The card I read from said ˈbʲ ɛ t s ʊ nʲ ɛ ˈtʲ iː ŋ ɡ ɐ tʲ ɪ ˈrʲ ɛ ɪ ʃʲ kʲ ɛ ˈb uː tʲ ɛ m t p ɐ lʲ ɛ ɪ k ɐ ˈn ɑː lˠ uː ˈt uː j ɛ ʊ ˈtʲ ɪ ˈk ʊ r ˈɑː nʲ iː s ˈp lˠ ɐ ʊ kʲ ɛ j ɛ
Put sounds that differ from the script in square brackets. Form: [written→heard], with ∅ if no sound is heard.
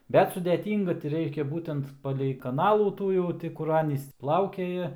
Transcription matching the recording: ˈbʲ ɛ t s ʊ [nʲ→dʲ] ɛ ˈtʲ iː ŋ ɡ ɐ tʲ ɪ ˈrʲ ɛ ɪ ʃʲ kʲ ɛ ˈb uː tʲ ɛ [m→n] t p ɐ lʲ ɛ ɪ k ɐ ˈn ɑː lˠ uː ˈt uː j ɛ ʊ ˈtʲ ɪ ˈk ʊ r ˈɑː nʲ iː s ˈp lˠ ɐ ʊ kʲ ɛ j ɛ